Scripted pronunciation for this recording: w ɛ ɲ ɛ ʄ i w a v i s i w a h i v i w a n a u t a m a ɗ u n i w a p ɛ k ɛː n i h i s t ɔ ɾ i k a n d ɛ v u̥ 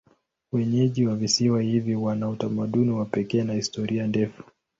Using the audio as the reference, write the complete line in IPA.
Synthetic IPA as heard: w ɛ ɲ ɛ ʄ i w a v i s i w a h i v i w a n a u t a m a ɗ u n i w a p ɛ k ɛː n a h i s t ɔ ɾ i a n d ɛ f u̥